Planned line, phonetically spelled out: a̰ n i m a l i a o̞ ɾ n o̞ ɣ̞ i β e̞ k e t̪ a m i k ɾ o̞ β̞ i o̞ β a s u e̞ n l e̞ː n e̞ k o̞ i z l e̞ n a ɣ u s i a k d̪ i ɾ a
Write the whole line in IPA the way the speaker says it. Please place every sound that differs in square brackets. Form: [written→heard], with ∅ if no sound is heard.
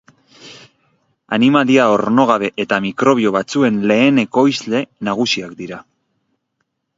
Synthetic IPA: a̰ n i m a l i a o̞ ɾ n o̞ ɣ̞ [i→a] β e̞ [k→ʔ] e t̪ a m i k ɾ o̞ β̞ i o̞ β a [s→t͡s] u e̞ n l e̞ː n e̞ k o̞ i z l e̞ n a ɣ u s i a k d̪ i ɾ a